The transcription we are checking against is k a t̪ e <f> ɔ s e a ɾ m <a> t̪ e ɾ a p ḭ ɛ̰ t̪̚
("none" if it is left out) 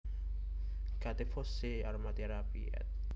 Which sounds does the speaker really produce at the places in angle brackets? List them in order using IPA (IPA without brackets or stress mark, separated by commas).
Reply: f, a